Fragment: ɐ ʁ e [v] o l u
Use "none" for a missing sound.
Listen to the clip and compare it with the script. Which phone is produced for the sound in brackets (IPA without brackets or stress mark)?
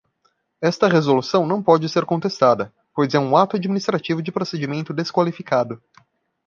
z